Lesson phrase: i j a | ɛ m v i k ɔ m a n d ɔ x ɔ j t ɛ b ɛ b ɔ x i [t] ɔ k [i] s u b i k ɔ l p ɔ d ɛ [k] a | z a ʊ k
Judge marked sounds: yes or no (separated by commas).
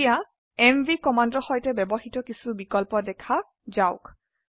yes, yes, no